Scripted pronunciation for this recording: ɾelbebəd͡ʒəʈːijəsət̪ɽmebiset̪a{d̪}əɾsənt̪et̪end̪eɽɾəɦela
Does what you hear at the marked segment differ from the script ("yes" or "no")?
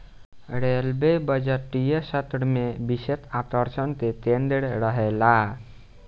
yes